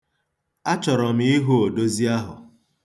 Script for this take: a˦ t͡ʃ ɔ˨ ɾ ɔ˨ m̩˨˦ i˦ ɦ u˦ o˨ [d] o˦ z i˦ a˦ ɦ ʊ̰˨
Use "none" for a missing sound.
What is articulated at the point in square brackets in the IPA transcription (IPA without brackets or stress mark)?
d